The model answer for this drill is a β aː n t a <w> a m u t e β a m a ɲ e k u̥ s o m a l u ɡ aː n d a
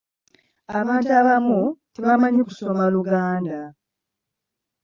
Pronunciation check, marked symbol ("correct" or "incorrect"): incorrect